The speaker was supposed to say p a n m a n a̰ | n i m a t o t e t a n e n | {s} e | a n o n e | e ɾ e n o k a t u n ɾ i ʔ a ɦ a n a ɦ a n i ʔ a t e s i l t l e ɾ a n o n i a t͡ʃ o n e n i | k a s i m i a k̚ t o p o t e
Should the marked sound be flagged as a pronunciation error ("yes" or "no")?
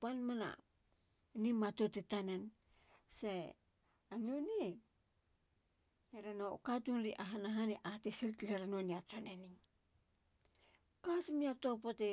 no